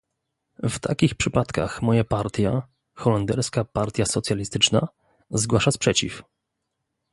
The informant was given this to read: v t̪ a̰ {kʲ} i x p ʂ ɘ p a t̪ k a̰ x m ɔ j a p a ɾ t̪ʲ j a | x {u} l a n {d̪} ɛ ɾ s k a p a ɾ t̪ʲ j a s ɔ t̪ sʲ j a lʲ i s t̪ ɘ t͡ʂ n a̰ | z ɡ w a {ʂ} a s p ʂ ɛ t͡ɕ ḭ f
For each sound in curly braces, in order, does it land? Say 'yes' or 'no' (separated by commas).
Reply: yes, no, yes, yes